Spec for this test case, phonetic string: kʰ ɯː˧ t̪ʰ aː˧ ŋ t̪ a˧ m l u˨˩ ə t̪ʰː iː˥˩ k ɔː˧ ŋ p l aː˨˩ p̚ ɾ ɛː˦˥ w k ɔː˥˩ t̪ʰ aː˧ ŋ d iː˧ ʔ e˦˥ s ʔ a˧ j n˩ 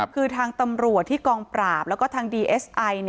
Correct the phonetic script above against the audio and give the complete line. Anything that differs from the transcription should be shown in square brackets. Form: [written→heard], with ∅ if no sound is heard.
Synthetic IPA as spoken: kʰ ɯː˧ t̪ʰ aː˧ ŋ t̪ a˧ m [l→ɾ] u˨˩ ə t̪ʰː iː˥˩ k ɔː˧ ŋ p [l→ɾ] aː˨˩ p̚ [ɾ→l] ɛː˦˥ w k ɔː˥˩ t̪ʰ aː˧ ŋ d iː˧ ʔ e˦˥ s ʔ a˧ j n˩